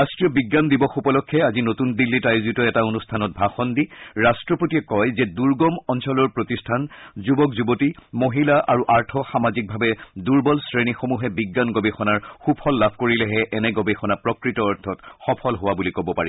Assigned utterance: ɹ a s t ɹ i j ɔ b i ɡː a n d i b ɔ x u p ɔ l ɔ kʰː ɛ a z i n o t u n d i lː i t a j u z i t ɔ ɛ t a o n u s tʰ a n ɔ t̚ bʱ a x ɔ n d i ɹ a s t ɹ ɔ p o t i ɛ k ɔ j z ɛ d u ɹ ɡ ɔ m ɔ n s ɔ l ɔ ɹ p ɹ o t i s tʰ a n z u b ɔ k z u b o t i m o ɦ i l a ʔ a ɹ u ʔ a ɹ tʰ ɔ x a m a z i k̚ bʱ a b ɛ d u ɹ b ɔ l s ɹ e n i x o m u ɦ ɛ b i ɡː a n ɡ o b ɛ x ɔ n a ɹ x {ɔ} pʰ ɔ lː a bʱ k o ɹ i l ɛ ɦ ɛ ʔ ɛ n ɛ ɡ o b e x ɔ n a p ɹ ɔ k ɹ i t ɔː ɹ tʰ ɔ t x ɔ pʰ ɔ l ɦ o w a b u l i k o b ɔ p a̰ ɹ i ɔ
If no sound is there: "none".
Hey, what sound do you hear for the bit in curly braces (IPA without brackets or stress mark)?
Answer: u